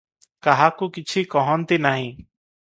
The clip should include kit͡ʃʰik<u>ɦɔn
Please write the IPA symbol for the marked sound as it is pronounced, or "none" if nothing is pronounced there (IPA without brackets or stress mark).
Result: ɔ